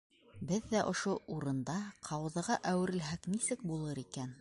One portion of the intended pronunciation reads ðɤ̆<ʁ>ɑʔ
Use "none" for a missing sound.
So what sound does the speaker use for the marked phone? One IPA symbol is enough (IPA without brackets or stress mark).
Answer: ʁ